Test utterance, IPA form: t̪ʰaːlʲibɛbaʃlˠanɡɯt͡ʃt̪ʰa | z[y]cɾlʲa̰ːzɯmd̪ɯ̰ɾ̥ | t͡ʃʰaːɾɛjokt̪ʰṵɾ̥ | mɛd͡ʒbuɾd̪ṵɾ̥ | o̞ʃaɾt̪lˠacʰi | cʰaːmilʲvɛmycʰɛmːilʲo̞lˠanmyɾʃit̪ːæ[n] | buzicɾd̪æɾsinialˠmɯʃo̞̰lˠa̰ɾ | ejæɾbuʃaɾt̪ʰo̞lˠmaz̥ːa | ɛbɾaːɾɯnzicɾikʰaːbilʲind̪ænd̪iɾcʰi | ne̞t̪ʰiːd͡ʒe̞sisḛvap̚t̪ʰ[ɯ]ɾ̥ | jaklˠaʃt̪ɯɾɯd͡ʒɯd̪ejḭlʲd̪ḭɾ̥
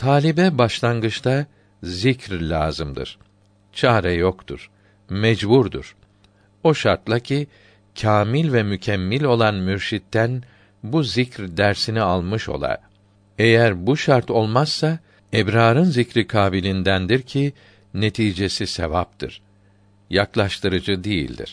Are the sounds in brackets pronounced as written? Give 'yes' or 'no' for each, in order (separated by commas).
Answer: no, yes, yes